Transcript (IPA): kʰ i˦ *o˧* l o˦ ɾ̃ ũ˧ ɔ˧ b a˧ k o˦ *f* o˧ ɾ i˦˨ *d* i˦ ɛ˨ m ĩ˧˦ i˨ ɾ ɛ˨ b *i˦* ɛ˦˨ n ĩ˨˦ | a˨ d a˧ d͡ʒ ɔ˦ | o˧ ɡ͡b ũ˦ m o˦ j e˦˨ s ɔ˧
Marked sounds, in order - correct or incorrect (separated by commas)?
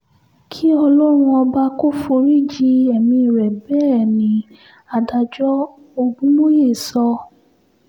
incorrect, correct, incorrect, incorrect